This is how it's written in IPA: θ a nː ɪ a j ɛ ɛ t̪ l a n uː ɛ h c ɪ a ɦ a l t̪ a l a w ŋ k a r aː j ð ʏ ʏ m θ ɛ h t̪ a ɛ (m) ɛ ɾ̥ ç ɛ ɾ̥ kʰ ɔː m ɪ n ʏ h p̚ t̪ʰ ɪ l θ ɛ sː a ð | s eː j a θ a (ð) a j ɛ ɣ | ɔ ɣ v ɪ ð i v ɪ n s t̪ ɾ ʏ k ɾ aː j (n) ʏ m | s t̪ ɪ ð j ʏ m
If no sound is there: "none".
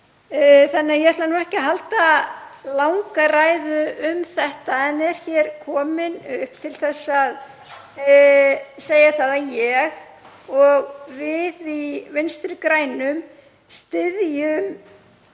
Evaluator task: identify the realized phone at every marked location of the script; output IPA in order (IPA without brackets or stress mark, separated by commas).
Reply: n, ð, n